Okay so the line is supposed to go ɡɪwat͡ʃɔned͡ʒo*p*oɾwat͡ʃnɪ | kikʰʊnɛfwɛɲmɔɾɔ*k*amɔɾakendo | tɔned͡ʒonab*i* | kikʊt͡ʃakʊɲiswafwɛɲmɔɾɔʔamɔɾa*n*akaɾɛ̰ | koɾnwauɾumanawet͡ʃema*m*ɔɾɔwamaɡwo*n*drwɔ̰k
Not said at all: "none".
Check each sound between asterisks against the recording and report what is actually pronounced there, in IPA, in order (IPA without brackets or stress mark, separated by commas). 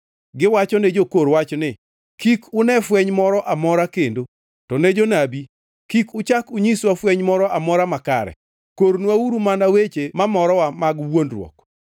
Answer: k, ʔ, i, m, m, n